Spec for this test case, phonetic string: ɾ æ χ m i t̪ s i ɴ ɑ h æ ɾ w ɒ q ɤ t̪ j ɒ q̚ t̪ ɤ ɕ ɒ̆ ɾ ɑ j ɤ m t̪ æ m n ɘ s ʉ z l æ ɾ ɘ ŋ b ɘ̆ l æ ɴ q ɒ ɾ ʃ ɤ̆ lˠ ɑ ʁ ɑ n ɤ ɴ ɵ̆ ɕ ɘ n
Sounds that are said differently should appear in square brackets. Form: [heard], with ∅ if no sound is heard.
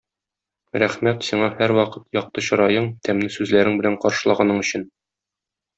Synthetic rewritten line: ɾ æ χ m [æ] t̪ s i ɴ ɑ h æ ɾ w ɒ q ɤ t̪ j ɒ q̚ t̪ ɤ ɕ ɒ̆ ɾ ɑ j ɤ [ɴ] t̪ æ m n ɘ s ʉ z l æ ɾ ɘ ŋ b ɘ̆ l æ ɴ q ɒ ɾ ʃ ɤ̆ lˠ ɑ ʁ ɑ n ɤ ɴ ɵ̆ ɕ ɘ n